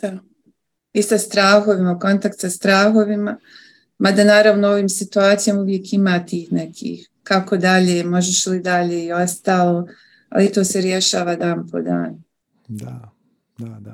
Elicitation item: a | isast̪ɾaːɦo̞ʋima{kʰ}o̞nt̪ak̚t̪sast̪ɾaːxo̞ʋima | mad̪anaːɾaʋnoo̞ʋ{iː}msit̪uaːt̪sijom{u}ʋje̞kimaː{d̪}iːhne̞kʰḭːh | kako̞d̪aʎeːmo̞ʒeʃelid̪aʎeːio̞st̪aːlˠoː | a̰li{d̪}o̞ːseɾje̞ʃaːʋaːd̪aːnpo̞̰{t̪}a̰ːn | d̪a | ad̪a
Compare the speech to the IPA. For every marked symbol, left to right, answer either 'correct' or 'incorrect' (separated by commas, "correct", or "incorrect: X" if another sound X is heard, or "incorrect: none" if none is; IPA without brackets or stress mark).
incorrect: k, correct, correct, incorrect: t̪, incorrect: t̪, incorrect: d̪